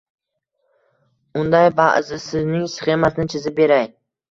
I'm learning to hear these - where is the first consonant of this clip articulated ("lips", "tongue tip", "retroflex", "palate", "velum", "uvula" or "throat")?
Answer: tongue tip